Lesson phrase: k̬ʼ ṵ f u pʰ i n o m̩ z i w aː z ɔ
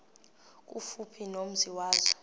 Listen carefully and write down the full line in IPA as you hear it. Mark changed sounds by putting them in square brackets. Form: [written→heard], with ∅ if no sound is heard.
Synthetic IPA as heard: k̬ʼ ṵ f u pʰ i n o m̩ z i w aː z ɔ